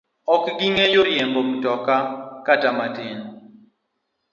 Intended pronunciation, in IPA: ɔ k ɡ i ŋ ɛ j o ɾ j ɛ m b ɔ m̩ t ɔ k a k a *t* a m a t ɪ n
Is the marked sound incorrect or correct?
correct